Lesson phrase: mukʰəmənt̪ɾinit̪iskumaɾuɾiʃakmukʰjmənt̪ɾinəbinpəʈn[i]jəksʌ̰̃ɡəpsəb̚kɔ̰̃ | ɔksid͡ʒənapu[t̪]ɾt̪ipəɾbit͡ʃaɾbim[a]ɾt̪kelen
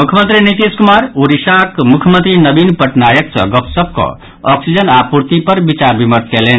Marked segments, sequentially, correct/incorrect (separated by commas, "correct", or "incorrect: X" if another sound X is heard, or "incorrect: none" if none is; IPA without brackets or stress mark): incorrect: a, incorrect: none, incorrect: ə